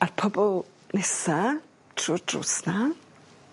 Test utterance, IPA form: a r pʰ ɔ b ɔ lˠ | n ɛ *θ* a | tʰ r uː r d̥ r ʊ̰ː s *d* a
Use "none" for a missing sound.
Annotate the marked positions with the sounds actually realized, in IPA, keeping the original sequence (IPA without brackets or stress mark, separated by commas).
s, n